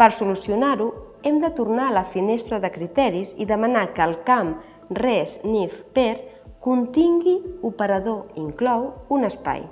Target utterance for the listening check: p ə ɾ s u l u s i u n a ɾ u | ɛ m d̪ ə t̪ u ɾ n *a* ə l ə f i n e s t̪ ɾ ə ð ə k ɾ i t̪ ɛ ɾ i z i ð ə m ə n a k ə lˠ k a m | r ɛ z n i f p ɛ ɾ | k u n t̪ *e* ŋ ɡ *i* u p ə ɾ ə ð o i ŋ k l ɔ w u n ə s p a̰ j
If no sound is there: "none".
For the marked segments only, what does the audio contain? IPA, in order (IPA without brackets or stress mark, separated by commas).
a, i, i